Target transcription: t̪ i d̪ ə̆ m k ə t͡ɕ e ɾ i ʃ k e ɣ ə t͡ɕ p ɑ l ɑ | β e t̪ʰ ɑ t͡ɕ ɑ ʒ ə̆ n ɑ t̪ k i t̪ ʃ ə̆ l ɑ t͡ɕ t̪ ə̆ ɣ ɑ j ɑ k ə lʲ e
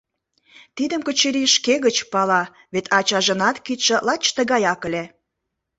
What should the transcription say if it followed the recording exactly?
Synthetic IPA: t̪ i d̪ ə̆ m k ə t͡ɕ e ɾ i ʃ k e ɣ ə t͡ɕ p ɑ l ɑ | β e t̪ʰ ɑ t͡ɕ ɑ ʒ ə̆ n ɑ t̪ k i t̪ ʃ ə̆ l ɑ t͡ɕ t̪ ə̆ ɣ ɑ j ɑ k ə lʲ e